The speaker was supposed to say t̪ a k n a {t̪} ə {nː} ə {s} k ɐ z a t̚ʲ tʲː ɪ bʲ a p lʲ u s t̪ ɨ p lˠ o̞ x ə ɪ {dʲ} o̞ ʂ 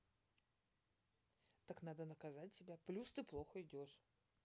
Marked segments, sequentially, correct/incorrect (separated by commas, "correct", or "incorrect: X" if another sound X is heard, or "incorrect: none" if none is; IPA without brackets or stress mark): incorrect: d̪, incorrect: n, incorrect: none, correct